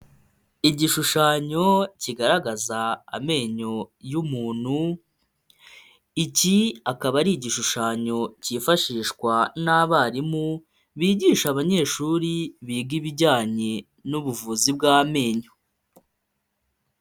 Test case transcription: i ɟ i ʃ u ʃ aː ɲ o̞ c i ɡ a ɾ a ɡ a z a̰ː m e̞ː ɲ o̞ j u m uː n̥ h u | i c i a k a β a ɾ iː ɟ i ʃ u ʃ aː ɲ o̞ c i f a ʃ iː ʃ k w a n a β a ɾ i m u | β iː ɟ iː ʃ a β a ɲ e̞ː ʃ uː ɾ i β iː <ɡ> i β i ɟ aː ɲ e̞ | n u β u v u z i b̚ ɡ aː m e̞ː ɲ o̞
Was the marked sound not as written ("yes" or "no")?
no